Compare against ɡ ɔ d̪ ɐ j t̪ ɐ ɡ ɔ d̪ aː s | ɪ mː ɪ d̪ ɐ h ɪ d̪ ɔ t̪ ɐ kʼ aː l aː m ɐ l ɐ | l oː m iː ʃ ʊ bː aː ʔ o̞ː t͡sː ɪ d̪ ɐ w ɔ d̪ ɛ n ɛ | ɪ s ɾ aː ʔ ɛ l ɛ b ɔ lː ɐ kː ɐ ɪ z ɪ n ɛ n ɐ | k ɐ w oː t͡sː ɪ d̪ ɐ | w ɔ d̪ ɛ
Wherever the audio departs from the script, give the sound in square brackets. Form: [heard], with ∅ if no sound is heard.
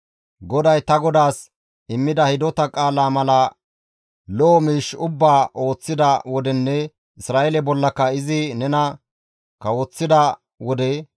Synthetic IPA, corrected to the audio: ɡ ɔ d̪ ɐ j t̪ ɐ ɡ ɔ d̪ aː s | ɪ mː ɪ d̪ ɐ h ɪ d̪ ɔ t̪ ɐ kʼ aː l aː m ɐ l ɐ | l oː m iː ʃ ʊ bː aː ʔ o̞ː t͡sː ɪ d̪ ɐ w ɔ d̪ ɛ [nː] ɛ | ɪ s ɾ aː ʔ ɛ l ɛ b ɔ lː ɐ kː ɐ ɪ z ɪ n ɛ n ɐ | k ɐ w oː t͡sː ɪ d̪ ɐ | w ɔ d̪ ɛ